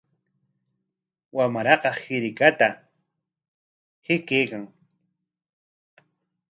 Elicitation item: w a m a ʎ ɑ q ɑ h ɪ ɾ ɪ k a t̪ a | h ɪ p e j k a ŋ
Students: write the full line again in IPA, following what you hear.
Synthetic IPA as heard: w a m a ɾ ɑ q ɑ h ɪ ɾ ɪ k a t̪ a | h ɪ k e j k a ŋ